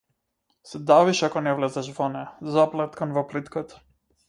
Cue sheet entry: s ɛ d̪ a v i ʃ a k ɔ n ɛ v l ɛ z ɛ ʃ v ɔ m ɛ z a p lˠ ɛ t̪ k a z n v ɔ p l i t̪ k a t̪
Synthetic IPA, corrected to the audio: s ɛ d̪ a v i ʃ a k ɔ n ɛ v l ɛ z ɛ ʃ v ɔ n ɛ z a p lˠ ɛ t̪ k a n v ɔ p l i t̪ k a t̪